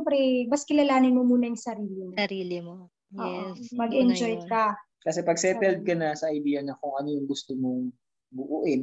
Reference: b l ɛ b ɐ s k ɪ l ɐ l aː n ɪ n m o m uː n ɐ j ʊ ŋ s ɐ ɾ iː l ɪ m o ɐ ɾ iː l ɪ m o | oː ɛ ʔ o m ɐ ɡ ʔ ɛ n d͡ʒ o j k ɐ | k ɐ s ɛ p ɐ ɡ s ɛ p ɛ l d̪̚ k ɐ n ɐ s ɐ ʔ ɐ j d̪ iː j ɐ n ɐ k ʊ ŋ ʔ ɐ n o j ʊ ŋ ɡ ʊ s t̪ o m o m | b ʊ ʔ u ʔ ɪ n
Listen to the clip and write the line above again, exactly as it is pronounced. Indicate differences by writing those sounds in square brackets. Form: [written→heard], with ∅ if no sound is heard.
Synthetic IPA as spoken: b [l→ɾ] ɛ b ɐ s k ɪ l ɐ l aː n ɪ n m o m uː n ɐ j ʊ ŋ s ɐ ɾ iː l ɪ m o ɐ ɾ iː l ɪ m o | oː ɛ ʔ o m ɐ ɡ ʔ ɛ n d͡ʒ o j k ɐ | k ɐ s ɛ p ɐ ɡ s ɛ p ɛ l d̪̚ k ɐ n ɐ s ɐ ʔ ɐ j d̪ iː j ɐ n ɐ k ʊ ŋ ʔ ɐ n o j ʊ ŋ ɡ ʊ s t̪ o m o [m→ŋ] | b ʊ ʔ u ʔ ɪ n